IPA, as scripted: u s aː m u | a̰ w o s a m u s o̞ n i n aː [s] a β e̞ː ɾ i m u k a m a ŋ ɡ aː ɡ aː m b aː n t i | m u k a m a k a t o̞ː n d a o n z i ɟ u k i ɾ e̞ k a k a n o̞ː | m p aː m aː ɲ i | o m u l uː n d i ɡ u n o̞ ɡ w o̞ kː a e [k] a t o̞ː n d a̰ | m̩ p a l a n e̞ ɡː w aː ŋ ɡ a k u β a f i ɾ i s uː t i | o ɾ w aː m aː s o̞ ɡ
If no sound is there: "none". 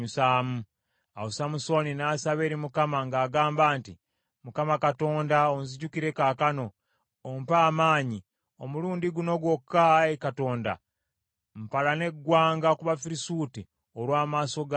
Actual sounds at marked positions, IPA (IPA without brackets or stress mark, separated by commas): s, k